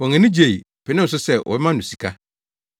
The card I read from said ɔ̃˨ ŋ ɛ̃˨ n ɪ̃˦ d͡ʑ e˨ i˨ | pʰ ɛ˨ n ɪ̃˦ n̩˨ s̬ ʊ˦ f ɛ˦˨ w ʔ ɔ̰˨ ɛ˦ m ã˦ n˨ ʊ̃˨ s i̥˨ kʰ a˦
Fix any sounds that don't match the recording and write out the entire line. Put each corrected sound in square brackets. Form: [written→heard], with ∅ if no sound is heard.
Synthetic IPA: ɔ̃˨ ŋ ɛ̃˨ n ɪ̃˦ d͡ʑ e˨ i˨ | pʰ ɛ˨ n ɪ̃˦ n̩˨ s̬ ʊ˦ [f→s] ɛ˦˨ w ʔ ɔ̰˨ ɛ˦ m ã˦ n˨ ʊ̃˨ s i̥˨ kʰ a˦

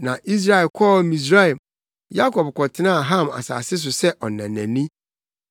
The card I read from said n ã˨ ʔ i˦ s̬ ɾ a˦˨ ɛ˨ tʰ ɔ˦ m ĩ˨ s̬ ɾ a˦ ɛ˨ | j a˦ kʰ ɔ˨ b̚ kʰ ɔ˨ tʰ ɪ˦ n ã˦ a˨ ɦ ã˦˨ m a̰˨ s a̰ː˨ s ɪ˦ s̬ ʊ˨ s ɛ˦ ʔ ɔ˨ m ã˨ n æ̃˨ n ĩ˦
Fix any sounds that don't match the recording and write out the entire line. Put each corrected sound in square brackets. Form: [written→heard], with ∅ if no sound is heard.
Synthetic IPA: n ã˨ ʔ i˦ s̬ ɾ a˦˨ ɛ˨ [tʰ→kʰ] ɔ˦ m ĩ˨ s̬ ɾ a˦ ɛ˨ | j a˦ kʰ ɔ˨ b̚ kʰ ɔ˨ tʰ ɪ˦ n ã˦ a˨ ɦ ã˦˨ m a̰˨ s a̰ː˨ s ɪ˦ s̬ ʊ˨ s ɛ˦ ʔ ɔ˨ [m→n] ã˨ n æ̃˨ n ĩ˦

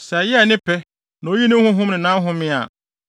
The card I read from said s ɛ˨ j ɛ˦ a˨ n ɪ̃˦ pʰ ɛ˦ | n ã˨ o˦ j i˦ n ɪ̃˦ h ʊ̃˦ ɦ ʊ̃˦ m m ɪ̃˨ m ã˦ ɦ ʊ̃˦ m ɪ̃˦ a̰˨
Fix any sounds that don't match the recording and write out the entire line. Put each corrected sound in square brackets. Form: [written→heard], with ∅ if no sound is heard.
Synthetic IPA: s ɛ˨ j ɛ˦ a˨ n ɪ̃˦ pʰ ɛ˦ | n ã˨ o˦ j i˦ n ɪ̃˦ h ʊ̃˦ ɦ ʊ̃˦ m [m→n] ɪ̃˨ [m→n] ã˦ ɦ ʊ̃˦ m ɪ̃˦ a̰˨

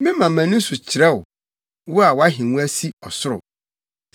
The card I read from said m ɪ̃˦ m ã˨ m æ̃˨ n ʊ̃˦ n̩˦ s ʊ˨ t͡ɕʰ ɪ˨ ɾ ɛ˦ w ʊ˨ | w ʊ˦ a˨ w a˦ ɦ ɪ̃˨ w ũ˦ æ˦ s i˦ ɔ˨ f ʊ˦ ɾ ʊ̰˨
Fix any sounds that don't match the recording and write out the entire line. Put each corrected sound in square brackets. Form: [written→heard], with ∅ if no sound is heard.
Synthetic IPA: m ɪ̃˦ m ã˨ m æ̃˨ n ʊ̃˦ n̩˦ s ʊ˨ t͡ɕʰ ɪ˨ ɾ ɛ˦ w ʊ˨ | w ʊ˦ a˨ w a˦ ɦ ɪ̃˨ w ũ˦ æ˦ s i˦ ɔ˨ [f→s] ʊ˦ ɾ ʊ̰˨

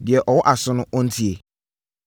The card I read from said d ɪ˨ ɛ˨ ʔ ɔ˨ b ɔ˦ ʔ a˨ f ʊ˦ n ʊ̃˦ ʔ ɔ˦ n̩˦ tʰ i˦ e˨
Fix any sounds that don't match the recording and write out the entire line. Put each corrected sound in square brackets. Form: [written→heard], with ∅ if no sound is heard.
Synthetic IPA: d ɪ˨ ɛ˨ ʔ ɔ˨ [b→w] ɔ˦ ʔ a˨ [f→s] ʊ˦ n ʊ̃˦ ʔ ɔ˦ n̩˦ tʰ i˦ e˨

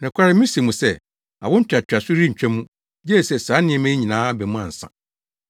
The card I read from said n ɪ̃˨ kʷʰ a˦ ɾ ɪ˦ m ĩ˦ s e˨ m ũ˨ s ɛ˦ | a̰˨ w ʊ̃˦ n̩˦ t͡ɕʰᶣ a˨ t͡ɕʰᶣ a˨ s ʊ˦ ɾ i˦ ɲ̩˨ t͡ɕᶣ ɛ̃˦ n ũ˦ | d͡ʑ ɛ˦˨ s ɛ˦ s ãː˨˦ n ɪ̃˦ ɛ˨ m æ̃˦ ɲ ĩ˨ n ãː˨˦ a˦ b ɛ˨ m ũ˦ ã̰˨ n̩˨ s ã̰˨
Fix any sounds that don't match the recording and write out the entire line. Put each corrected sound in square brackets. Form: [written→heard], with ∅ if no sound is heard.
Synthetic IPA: n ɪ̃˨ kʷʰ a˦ ɾ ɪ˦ m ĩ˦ s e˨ m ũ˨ s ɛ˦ | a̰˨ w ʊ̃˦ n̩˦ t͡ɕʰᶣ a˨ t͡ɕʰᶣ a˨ s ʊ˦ ɾ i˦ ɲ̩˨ t͡ɕᶣ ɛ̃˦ [n→m] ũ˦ | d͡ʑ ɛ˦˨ s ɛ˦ s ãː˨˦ n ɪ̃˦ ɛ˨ m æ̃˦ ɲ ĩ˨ n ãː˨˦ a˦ b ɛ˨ m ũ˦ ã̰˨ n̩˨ s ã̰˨

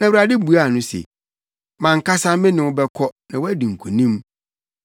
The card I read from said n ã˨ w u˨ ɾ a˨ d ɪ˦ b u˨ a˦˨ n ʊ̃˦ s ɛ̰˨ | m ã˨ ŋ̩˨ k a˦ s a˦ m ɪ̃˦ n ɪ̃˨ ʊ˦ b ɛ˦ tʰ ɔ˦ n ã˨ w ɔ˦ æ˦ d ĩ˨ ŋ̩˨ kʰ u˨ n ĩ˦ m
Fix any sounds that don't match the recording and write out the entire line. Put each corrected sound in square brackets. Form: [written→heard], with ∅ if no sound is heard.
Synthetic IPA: n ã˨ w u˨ ɾ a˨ d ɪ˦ b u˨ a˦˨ n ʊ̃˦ s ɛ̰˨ | m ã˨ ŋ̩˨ k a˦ s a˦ m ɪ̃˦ n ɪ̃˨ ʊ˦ b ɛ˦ [tʰ→kʰ] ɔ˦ n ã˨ w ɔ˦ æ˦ d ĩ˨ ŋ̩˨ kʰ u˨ n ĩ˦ m

